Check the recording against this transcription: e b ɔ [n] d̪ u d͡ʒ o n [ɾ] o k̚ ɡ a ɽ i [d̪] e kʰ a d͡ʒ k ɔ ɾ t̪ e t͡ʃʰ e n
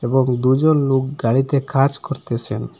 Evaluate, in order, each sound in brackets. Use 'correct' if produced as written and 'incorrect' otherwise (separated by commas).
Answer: incorrect, incorrect, incorrect